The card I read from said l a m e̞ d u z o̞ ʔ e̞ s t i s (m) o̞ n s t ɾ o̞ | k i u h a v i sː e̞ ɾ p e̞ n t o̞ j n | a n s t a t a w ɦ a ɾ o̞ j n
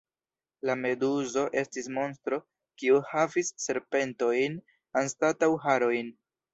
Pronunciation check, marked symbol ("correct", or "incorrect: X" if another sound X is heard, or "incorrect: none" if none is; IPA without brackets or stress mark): correct